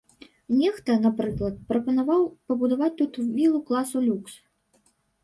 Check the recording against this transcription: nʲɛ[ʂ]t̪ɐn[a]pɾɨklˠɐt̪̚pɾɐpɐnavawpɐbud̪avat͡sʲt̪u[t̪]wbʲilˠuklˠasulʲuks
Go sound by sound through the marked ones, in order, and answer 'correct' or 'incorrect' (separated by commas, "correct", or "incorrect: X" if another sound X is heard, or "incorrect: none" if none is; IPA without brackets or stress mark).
incorrect: x, correct, correct